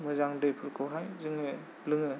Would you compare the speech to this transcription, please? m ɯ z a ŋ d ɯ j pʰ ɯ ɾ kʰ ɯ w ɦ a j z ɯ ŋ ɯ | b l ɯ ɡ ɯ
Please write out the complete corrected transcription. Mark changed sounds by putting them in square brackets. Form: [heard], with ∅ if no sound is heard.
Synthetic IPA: m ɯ z a ŋ d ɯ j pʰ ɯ ɾ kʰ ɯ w ɦ a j z ɯ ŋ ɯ | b l ɯ [ŋ] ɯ